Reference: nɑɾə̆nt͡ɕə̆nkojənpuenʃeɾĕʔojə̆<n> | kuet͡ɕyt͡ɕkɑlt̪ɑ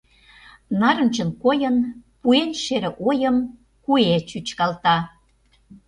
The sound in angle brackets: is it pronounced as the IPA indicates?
no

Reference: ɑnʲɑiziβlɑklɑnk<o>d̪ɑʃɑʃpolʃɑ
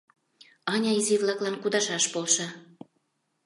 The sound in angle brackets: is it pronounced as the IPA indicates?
no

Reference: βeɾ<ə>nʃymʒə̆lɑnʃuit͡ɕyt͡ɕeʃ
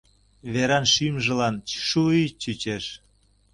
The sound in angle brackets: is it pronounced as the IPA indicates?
no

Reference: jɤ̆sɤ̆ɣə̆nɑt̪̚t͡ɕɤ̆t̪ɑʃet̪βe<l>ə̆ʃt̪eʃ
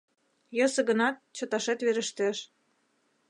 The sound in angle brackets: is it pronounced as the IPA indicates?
no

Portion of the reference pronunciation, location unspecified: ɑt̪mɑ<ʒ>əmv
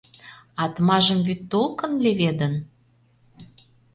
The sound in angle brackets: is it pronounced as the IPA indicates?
yes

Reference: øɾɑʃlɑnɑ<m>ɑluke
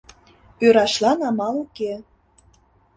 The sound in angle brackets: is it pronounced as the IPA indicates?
yes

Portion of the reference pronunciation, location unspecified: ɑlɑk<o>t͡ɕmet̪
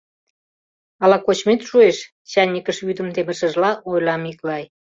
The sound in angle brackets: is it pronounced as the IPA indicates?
yes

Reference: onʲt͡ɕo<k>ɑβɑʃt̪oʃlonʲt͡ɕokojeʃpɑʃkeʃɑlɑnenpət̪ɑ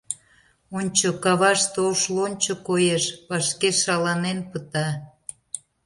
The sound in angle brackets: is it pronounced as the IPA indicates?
yes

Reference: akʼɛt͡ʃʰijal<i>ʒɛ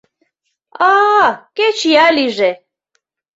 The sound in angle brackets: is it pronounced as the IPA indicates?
yes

